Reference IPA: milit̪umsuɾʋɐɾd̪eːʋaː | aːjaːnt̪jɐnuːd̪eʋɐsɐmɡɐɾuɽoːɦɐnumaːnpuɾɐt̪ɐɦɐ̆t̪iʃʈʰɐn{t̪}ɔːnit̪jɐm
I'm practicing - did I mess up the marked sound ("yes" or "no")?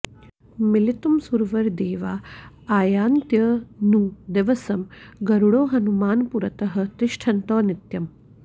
no